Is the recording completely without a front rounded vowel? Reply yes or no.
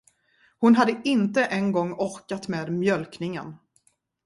no